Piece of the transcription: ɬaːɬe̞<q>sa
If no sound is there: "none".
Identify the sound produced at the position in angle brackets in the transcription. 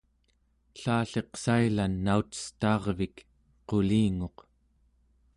q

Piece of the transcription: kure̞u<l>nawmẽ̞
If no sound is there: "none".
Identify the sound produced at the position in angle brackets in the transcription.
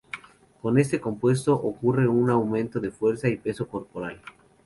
none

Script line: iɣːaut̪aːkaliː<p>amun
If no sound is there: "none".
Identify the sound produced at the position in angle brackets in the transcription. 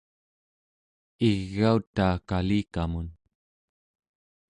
k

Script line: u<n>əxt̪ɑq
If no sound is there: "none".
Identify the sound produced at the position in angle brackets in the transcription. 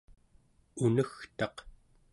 n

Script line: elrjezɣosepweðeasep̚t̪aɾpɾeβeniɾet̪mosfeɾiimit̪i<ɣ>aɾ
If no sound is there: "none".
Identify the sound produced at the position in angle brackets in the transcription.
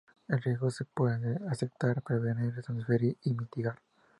ɣ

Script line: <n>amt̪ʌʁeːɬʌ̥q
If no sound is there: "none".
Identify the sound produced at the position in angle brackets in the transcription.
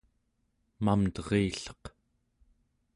m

